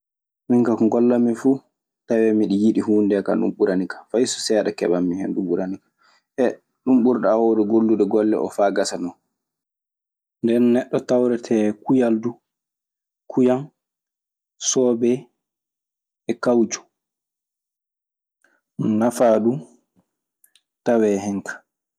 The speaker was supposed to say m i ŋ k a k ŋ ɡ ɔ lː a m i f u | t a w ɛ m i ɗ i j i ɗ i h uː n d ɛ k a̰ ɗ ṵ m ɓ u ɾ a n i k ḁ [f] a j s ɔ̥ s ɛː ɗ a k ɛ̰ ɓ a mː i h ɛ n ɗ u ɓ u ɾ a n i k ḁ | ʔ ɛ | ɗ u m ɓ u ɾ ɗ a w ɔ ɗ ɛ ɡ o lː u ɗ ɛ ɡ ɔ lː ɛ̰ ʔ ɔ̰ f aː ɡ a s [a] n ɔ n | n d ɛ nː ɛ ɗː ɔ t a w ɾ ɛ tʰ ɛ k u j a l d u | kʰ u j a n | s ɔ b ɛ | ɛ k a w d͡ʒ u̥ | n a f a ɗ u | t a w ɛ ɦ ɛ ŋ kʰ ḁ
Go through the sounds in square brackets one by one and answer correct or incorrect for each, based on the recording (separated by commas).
correct, correct